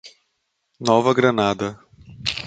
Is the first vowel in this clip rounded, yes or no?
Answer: yes